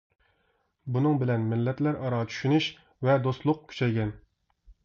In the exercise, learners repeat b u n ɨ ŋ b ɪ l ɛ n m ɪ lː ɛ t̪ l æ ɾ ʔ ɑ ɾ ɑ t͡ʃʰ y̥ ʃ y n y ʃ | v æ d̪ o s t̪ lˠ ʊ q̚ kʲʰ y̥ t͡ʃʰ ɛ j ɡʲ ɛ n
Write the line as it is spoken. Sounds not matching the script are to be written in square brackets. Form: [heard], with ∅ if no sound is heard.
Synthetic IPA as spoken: b u n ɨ ŋ b ɪ l ɛ n m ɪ lː ɛ t̪ l æ ɾ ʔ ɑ ɾ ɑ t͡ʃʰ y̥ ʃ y n y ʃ | v [ɛ] d̪ o s t̪ lˠ ʊ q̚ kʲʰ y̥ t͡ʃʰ ɛ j ɡʲ ɛ n